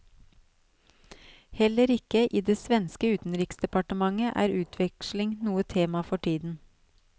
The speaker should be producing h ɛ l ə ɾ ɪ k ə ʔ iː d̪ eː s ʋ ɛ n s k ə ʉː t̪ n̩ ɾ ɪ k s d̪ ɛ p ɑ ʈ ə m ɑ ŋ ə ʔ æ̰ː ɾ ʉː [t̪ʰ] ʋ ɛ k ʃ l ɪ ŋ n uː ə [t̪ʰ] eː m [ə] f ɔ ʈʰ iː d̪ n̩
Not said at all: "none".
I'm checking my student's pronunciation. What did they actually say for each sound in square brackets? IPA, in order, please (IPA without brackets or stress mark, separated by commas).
t̪ʰ, t̪ʰ, ɑ